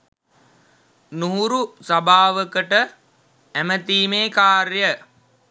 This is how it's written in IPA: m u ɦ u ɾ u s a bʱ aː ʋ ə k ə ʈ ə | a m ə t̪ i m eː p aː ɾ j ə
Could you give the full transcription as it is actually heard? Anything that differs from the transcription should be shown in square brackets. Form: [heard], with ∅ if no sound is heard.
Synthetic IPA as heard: [n] u ɦ u ɾ u s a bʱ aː ʋ ə k ə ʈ ə | [æ] m ə t̪ [iː] m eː [k] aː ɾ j ə